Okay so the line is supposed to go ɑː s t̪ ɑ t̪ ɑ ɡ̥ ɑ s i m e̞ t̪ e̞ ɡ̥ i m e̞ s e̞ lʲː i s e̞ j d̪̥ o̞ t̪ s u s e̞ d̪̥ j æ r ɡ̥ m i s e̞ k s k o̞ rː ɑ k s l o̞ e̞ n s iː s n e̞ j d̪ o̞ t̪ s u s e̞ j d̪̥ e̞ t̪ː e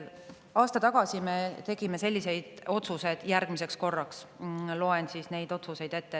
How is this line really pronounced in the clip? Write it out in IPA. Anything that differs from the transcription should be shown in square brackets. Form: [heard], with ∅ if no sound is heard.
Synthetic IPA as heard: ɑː s t̪ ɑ t̪ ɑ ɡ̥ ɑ s i m e̞ t̪ e̞ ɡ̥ i m e̞ s e̞ lʲː i s e̞ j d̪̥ o̞ t̪ s u s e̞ d̪̥ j æ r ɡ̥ m i s e̞ k s k o̞ rː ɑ k s l o̞ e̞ n s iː s n e̞ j d̪ o̞ t̪ s u s e̞ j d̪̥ e̞ t̪ː e